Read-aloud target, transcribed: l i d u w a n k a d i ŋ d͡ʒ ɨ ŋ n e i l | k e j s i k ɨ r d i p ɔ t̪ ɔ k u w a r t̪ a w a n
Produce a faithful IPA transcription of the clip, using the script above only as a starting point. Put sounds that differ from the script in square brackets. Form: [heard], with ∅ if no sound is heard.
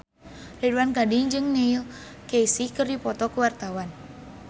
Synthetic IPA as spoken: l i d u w a n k a d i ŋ d͡ʒ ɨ ŋ n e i l | k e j s i k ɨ r d i p ɔ t̪ ɔ k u w a r t̪ a w a n